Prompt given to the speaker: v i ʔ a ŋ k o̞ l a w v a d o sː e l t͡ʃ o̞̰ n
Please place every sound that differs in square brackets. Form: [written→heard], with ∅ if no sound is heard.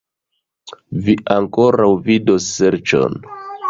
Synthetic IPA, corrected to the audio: v i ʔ a ŋ k o̞ [l→ɾ] a w v [a→i] d o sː e [l→ɾ] t͡ʃ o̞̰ n